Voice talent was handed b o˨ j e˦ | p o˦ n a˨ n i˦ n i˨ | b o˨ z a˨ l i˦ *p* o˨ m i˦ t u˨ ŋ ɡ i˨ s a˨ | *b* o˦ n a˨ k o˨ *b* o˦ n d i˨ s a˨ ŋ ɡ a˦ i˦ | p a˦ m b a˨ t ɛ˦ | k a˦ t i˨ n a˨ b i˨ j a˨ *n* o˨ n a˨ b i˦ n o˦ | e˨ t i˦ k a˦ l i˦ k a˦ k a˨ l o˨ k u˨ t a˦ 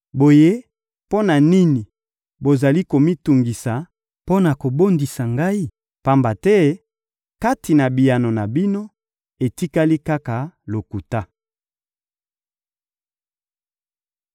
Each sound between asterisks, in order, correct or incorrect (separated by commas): incorrect, incorrect, correct, correct